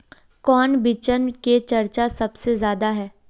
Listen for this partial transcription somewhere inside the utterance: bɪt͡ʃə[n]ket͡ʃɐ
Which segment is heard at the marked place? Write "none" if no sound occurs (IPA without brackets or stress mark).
n